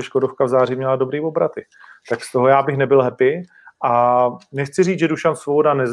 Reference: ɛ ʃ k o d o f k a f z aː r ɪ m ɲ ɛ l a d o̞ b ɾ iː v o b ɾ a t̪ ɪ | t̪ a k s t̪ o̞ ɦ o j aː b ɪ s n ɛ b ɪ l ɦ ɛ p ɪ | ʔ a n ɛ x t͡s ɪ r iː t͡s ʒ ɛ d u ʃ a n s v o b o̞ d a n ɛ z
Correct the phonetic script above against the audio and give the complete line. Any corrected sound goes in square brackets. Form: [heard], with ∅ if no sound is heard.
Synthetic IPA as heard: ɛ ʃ k o d o f k a [v] z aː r ɪ m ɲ ɛ l a d o̞ b ɾ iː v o b ɾ a t̪ ɪ | t̪ a k s t̪ o̞ ɦ o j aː b ɪ [x] n ɛ b ɪ l ɦ ɛ p ɪ | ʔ a n ɛ x t͡s ɪ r iː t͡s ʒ ɛ d u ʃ a n s v o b o̞ d a n ɛ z